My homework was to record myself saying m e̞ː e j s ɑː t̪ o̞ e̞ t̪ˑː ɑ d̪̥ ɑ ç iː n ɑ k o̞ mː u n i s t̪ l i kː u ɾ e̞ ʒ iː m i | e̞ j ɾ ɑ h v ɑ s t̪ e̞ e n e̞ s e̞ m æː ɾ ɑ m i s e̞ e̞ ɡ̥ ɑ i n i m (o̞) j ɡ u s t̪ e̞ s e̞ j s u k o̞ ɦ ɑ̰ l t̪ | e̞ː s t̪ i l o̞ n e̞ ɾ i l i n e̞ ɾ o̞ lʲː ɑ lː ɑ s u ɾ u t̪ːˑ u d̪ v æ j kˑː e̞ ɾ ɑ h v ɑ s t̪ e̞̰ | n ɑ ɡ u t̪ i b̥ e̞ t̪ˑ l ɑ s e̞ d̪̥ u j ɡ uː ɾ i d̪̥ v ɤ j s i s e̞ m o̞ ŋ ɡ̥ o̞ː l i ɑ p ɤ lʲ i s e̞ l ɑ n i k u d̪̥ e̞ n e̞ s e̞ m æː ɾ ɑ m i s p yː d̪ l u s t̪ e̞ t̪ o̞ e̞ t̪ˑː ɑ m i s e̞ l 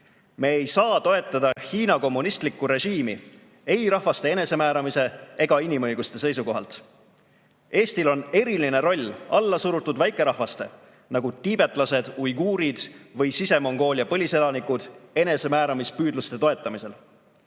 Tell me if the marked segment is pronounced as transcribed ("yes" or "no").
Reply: no